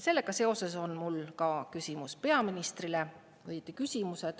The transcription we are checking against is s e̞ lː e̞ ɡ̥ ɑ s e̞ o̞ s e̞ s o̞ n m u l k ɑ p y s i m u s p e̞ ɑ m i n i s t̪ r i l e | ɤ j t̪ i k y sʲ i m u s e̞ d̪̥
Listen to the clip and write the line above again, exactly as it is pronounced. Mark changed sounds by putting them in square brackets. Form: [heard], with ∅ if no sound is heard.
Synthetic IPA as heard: s e̞ lː e̞ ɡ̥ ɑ s e̞ o̞ s e̞ s o̞ n m u l k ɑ [k] y s i m u s p e̞ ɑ m i n i s t̪ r i l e | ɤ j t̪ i k y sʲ i m u s e̞ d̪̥